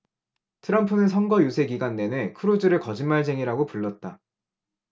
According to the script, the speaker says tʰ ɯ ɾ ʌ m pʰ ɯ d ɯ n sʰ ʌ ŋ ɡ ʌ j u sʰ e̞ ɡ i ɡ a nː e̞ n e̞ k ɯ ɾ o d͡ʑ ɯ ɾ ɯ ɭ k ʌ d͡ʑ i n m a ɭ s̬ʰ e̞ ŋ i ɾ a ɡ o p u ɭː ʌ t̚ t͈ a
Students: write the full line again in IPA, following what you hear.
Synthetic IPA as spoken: tʰ ɯ ɾ ʌ m pʰ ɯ n ɯ n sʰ ʌ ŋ ɡ ʌ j u sʰ e̞ ɡ i ɡ a nː e̞ n e̞ kʰ ɯ ɾ o d͡ʑ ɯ ɾ ɯ ɭ k ʌ d͡ʑ i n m a ɭ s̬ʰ e̞ ŋ i ɾ a ɡ o p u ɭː ʌ t̚ t͈ a